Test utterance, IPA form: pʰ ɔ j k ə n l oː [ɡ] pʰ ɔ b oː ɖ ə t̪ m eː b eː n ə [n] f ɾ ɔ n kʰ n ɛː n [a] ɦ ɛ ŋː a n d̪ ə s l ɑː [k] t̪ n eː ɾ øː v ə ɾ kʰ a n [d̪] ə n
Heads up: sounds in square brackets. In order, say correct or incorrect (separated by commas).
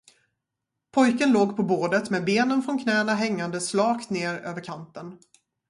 correct, correct, correct, correct, incorrect